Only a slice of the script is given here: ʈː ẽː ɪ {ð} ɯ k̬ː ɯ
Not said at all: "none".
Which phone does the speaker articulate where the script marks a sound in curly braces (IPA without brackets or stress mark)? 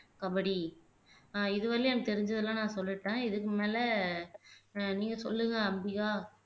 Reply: ð